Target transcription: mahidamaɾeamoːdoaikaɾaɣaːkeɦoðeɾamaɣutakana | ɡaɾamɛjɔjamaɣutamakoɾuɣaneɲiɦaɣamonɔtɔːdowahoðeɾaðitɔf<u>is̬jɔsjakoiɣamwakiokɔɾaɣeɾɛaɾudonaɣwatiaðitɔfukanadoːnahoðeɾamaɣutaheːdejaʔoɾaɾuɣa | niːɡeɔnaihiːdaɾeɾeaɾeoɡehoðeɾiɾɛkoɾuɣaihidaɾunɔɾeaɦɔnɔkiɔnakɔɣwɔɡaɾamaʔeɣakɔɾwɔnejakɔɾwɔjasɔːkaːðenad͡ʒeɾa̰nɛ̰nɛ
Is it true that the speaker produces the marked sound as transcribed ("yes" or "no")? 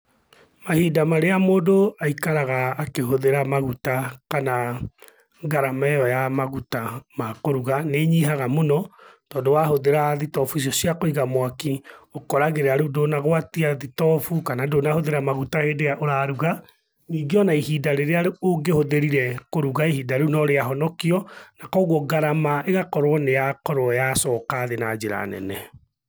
yes